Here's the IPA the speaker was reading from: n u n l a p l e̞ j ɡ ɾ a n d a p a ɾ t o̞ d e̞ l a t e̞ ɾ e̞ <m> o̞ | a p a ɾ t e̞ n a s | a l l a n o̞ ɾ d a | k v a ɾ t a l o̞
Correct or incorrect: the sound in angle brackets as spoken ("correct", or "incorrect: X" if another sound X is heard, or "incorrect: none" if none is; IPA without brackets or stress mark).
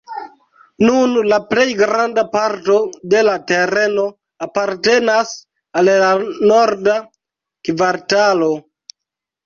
incorrect: n